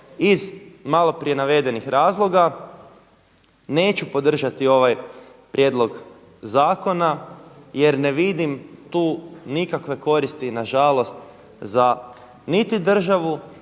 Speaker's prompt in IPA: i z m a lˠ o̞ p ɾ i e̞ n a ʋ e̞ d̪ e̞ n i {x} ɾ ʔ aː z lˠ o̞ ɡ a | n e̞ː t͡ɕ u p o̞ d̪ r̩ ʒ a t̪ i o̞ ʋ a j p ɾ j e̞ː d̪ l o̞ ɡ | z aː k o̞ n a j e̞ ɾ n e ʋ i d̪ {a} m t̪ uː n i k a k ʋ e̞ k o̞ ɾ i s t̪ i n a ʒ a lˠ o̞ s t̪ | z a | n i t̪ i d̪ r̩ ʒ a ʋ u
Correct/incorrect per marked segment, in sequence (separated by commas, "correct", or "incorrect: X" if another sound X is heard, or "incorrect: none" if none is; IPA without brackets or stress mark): correct, incorrect: i